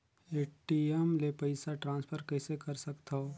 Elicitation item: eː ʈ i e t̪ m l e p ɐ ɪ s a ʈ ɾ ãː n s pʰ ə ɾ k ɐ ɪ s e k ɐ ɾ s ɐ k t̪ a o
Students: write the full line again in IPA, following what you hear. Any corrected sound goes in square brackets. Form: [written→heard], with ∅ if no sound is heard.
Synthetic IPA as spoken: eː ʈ i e [t̪→∅] m l e p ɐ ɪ s a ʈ ɾ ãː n s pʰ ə ɾ k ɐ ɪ s e k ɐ ɾ s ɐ k t̪ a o